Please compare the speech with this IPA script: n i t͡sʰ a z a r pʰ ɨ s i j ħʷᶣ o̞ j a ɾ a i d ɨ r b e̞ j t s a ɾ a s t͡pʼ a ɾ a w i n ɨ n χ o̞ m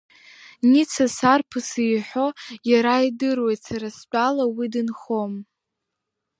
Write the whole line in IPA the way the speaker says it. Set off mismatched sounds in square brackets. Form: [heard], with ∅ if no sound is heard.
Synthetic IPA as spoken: n i t͡sʰ a [s] a r pʰ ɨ s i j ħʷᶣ o̞ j a ɾ a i d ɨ r [w] e̞ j t s a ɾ a s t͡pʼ a [l] a w i [d] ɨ n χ o̞ m